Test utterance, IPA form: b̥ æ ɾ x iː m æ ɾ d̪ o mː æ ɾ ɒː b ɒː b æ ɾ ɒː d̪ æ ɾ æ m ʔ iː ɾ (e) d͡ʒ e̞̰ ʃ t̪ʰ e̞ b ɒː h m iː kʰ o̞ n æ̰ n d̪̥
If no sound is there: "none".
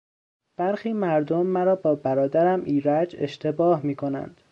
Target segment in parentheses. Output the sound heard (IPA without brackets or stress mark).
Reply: æ